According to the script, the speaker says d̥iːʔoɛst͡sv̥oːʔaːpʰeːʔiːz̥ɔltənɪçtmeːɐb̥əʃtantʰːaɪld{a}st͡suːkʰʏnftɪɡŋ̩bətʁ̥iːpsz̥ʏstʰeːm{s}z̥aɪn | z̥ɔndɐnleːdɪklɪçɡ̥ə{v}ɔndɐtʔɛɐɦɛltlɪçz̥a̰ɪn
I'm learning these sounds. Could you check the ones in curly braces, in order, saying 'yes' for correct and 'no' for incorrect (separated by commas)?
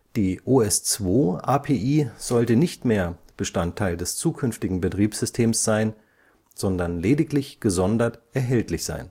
no, yes, no